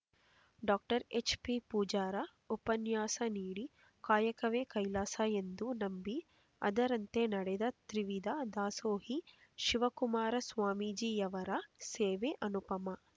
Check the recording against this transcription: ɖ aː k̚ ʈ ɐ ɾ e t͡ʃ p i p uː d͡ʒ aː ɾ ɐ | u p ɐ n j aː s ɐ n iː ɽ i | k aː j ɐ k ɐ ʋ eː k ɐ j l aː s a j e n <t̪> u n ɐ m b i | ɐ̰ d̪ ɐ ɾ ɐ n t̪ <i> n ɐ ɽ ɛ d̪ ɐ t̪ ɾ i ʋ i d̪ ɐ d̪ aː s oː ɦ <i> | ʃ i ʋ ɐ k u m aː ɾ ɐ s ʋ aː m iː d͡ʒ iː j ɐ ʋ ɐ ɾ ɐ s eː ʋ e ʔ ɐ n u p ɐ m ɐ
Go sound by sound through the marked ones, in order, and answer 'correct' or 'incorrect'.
incorrect: d̪, incorrect: e, correct

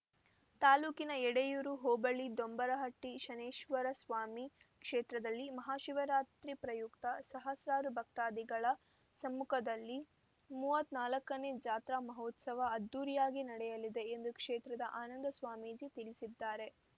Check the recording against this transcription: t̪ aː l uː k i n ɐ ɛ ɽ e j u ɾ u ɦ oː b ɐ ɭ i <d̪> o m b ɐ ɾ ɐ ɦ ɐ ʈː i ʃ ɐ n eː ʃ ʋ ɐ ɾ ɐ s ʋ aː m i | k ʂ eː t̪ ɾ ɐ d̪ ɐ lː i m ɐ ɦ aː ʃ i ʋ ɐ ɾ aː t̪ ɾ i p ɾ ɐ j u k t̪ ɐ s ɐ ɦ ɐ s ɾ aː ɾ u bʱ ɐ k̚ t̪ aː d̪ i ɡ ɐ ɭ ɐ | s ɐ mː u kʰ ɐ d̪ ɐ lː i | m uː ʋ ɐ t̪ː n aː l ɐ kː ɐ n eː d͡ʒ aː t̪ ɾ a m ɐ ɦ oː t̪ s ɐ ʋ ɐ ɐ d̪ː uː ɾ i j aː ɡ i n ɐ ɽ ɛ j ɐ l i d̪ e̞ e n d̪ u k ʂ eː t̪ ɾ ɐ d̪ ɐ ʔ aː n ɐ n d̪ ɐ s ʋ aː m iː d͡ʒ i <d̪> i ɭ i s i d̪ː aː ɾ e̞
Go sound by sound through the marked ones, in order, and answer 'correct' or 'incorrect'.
correct, incorrect: t̪

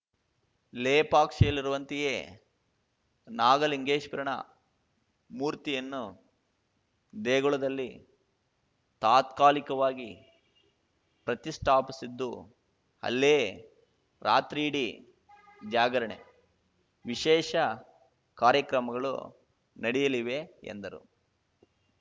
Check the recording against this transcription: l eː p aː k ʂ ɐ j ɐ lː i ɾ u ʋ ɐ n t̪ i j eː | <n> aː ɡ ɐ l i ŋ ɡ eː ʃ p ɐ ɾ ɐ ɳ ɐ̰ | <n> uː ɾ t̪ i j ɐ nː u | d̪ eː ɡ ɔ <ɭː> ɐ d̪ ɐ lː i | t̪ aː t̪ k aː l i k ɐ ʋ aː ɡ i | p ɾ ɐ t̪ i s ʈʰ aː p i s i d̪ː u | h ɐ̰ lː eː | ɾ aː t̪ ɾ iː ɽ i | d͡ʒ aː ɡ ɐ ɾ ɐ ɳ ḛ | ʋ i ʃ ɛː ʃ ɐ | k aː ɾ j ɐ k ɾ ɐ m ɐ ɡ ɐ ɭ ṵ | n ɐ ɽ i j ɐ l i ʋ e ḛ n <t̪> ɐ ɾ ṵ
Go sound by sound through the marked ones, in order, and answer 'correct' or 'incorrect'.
correct, incorrect: m, incorrect: ɭ, incorrect: d̪

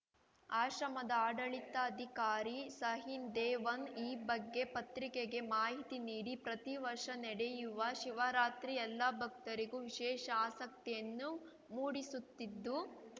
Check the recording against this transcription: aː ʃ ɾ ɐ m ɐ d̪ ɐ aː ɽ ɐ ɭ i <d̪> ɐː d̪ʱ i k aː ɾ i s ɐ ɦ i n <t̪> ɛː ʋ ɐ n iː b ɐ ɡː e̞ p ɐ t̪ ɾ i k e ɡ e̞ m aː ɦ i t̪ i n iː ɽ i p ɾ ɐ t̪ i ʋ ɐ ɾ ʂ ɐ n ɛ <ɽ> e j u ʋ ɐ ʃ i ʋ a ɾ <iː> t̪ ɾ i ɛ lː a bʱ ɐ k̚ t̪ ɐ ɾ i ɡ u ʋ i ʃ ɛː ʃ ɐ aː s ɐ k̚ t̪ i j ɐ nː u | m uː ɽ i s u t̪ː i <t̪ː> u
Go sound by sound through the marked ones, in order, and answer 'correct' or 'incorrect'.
incorrect: t̪, incorrect: d̪, correct, incorrect: aː, incorrect: d̪ː

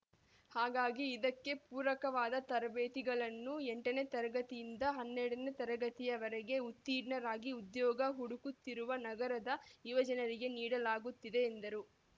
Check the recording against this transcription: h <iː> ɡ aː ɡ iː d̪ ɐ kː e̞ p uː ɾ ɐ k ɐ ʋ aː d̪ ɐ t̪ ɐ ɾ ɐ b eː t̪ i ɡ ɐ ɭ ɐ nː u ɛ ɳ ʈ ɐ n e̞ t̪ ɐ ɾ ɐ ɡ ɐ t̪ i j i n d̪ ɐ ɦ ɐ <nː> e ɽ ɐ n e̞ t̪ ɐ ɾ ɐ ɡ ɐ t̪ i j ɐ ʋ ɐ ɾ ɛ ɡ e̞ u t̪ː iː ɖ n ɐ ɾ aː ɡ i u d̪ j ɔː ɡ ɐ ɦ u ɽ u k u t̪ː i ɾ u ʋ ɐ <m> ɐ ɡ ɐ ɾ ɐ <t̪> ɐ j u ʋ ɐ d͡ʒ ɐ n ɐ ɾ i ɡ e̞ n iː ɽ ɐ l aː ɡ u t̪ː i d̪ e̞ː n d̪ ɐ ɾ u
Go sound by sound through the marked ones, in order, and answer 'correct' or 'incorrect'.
incorrect: aː, correct, incorrect: n, incorrect: d̪

